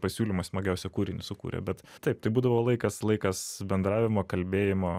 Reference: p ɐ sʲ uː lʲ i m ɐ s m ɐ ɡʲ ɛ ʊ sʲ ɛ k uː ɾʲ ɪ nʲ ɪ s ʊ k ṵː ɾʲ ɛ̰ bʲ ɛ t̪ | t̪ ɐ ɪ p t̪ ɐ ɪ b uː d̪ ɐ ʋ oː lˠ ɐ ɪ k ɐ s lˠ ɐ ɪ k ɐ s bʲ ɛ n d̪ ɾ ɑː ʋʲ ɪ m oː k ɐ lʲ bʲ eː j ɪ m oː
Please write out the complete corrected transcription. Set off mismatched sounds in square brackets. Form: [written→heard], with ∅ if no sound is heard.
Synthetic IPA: p ɐ sʲ uː lʲ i m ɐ s m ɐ ɡʲ ɛ ʊ sʲ ɛ k uː ɾʲ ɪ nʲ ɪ s ʊ k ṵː ɾʲ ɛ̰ bʲ ɛ t̪ | t̪ ɐ ɪ p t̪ ɐ ɪ b uː d̪ ɐ ʋ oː lˠ ɐ ɪ k ɐ s lˠ ɐ ɪ k ɐ s bʲ ɛ n d̪ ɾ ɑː ʋʲ ɪ m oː k ɐ lʲ bʲ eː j ɪ m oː